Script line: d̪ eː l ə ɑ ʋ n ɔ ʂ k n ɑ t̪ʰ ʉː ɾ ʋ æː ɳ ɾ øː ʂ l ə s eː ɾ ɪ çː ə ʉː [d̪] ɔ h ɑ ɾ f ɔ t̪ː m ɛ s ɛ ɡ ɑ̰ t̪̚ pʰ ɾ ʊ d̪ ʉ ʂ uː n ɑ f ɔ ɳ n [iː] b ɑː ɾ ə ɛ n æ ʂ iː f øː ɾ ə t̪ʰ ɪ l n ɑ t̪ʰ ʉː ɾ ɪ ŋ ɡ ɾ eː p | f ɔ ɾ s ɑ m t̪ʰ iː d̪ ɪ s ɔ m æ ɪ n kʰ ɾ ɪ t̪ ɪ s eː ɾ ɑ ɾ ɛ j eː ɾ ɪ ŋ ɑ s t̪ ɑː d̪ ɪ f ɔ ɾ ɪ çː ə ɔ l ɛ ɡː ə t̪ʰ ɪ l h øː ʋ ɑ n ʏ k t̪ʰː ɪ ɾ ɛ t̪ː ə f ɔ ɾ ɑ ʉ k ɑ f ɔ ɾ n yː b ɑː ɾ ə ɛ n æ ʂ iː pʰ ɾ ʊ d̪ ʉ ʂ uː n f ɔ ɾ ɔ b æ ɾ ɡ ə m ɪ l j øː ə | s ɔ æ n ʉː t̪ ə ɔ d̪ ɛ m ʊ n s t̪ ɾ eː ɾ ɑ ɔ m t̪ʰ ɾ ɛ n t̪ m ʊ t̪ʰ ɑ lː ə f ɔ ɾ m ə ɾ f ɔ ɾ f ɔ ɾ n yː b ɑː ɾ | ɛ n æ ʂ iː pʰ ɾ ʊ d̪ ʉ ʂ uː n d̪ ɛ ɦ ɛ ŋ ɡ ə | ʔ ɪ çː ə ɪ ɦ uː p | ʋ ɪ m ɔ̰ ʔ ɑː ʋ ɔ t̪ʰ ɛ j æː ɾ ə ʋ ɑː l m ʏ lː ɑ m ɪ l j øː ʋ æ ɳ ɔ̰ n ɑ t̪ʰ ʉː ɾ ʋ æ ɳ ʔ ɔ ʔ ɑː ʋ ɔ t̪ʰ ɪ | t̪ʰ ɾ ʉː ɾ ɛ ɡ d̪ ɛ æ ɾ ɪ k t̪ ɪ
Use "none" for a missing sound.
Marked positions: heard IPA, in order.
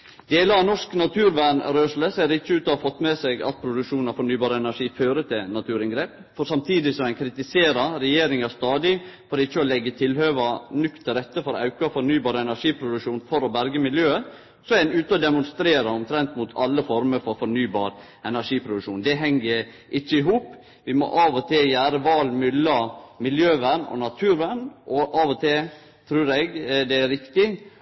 t̪, yː

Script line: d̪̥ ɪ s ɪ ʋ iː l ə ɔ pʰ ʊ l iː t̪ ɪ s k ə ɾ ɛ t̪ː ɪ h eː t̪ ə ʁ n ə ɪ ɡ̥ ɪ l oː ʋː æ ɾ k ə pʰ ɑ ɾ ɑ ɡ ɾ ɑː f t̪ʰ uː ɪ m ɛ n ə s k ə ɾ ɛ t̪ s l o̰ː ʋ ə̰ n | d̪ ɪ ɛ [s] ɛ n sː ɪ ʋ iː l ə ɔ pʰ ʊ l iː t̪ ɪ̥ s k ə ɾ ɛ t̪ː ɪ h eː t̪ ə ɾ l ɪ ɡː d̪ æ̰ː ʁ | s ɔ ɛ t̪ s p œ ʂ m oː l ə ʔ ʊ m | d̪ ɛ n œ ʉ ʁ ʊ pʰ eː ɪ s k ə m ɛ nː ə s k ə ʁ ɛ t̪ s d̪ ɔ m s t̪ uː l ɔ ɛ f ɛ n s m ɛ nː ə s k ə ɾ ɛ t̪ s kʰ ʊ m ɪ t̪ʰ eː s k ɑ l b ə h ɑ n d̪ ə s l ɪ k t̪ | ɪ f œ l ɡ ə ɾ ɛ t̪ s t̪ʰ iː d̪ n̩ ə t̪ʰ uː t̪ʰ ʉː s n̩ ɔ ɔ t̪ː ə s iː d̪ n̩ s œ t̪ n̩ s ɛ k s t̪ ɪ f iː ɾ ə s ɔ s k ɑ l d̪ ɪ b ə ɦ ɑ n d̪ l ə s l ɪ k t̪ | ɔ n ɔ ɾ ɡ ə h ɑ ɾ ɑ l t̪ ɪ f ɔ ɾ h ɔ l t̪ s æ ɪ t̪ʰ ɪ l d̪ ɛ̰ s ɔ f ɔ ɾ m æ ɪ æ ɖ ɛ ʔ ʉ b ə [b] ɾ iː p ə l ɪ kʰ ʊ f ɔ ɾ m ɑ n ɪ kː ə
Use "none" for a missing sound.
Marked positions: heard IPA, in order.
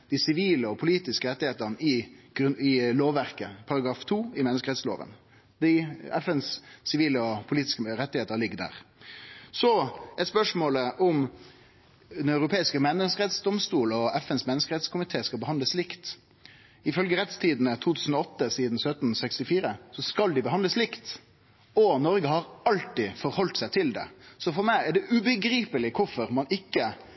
f, ɡ

